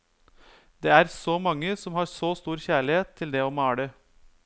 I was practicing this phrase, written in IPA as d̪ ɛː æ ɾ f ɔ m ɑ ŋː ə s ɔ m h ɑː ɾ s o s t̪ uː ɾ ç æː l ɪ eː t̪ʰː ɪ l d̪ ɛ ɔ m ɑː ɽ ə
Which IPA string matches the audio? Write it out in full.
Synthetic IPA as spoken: d̪ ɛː æ ɾ s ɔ m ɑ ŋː ə s ɔ m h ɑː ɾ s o s t̪ uː ɾ ç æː ɭ ɪ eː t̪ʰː ɪ l d̪ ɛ ɔ m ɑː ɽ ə